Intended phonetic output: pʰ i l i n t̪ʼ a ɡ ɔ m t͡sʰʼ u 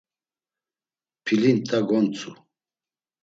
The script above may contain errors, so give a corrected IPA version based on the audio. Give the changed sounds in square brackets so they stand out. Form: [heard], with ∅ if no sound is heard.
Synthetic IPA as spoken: pʰ i l i n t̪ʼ a ɡ ɔ [n] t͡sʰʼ u